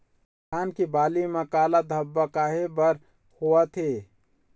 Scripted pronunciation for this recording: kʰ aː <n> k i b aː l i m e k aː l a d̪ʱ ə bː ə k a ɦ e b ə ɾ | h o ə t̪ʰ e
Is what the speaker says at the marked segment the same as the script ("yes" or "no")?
yes